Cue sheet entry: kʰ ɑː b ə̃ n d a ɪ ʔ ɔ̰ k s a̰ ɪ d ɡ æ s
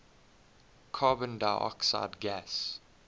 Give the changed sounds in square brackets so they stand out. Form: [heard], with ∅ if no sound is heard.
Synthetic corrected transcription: kʰ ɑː b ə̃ n d a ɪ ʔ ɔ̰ k s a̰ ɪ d ɡ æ s